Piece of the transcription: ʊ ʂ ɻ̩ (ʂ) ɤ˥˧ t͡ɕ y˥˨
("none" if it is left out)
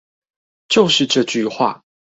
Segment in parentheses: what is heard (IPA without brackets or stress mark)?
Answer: ʈ͡ʂ